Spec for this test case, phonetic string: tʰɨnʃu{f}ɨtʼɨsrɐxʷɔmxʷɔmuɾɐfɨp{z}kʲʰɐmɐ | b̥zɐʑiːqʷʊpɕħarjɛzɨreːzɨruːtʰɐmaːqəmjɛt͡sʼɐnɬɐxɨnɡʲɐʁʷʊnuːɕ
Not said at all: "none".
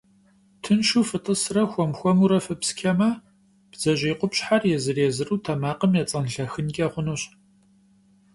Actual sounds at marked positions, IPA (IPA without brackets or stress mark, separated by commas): f, s